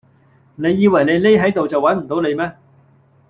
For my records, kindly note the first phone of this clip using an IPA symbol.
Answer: n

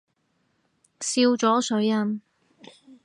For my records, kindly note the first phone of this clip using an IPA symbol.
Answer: s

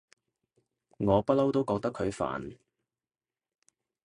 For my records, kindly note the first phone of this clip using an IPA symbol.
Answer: ŋ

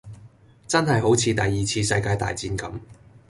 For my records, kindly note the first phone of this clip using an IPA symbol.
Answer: t͡s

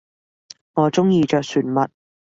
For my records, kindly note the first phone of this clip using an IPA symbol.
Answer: ŋ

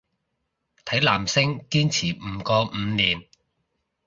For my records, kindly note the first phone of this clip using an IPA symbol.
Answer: t̪ʰ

